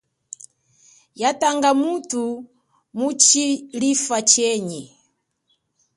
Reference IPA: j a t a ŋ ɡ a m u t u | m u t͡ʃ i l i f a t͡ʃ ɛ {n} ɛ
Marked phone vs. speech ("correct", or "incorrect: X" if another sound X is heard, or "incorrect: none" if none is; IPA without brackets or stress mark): incorrect: ɲ